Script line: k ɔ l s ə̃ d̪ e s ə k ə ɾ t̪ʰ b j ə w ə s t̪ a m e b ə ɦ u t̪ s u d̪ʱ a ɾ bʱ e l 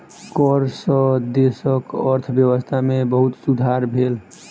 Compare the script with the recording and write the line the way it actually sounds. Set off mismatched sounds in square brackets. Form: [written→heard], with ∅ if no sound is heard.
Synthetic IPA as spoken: k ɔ [l→ɾ] s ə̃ d̪ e s ə k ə ɾ t̪ʰ b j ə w ə s [t̪→t̪ʰ] a m e b ə ɦ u t̪ s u d̪ʱ a ɾ bʱ e l